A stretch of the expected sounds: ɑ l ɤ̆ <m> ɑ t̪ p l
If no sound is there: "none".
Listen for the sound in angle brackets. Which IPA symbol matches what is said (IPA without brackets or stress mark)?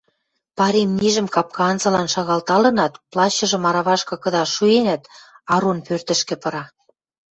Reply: n